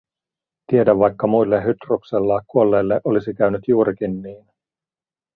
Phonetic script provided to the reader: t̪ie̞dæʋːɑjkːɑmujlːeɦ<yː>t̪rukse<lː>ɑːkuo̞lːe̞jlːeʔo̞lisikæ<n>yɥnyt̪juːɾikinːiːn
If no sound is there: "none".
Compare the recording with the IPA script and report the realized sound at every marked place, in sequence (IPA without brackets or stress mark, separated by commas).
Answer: y, lː, none